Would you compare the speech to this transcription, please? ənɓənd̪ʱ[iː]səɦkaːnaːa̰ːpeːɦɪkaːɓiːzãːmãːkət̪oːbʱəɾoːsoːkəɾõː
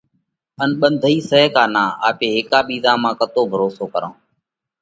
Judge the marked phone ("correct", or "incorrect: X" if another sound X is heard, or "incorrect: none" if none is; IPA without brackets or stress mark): correct